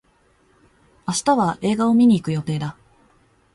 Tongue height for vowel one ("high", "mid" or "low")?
low